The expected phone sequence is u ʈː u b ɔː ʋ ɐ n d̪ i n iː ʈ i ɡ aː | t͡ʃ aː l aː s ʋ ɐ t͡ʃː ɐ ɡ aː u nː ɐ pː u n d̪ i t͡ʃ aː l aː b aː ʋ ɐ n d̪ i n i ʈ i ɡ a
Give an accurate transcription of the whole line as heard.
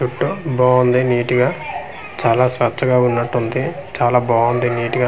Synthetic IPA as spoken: u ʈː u b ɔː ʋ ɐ n d̪ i n iː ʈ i ɡ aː | t͡ʃ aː l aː s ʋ ɐ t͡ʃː ɐ ɡ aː u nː ɐ ʈː u n d̪ i t͡ʃ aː l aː b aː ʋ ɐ n d̪ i n iː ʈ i ɡ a